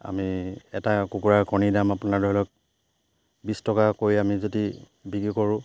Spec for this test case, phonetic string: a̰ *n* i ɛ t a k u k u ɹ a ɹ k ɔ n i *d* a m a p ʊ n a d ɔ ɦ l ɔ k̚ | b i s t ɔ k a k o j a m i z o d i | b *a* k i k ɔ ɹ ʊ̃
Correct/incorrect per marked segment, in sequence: incorrect: m, correct, incorrect: i

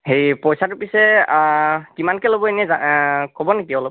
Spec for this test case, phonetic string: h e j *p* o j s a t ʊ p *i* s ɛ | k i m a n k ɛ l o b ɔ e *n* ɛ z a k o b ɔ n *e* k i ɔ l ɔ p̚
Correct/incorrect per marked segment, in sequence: correct, correct, correct, correct

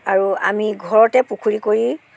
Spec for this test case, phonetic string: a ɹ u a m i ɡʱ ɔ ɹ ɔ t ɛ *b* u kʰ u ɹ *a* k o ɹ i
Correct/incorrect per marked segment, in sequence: incorrect: p, incorrect: i

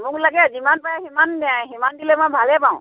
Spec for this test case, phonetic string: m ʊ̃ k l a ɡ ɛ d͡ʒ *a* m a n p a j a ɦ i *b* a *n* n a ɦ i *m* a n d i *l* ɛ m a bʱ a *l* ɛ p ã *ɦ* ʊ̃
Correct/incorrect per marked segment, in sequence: incorrect: i, incorrect: m, correct, correct, correct, correct, incorrect: none

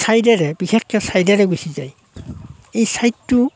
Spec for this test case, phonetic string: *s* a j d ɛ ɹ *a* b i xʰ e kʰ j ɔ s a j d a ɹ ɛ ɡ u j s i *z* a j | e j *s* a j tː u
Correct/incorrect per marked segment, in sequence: correct, incorrect: ɛ, correct, correct

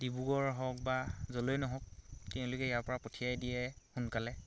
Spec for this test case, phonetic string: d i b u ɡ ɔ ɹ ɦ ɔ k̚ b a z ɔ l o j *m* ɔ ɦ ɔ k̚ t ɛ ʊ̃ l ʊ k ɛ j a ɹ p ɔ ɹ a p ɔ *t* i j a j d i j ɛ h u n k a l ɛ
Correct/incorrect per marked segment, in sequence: incorrect: n, incorrect: tʰ

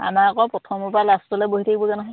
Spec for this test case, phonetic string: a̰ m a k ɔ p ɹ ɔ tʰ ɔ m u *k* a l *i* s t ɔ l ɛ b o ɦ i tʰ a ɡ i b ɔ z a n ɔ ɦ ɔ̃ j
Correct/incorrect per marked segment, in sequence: incorrect: p, incorrect: a

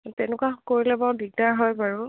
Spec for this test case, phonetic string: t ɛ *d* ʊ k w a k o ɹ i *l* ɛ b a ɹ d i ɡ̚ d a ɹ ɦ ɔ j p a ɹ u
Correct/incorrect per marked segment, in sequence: incorrect: n, correct

